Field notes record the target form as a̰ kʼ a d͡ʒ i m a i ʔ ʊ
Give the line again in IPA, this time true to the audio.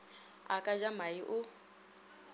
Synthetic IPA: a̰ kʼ a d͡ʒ a m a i ʔ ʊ